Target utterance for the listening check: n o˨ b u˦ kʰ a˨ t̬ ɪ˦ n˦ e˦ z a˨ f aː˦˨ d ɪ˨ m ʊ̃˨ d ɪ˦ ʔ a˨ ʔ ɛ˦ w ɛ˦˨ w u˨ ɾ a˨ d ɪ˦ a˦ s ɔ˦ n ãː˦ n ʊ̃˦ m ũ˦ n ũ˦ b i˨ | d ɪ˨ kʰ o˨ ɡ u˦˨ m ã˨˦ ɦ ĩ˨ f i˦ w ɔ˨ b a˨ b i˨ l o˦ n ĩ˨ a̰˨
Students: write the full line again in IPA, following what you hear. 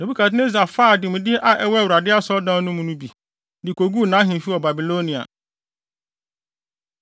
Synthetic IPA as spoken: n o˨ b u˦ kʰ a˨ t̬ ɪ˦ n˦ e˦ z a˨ f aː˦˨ d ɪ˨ m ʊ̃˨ d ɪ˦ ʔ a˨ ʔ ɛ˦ w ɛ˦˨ w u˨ ɾ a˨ d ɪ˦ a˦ s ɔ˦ d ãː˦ n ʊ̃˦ m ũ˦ n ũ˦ b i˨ | d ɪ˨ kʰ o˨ ɡ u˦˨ n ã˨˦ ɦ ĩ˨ f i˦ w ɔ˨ b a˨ b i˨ l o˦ n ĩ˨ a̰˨